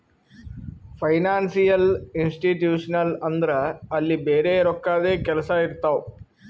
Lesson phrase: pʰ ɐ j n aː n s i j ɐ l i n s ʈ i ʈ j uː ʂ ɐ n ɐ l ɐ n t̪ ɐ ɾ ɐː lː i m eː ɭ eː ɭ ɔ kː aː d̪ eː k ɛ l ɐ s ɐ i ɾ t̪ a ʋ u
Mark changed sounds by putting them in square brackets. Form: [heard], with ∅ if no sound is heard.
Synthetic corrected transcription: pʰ ɐ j n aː n s i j ɐ l i n s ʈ i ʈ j uː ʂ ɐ n ɐ l ɐ n [d̪] ɐ ɾ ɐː lː i [b] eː [ɾ] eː [ɾ] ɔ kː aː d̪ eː k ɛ l ɐ s ɐ i ɾ t̪ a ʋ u